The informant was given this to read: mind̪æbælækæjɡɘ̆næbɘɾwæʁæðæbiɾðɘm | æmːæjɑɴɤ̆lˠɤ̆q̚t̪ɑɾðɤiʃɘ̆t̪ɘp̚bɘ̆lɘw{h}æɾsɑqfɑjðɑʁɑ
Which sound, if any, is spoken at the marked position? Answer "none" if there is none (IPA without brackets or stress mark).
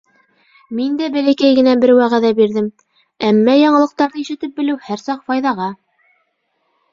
h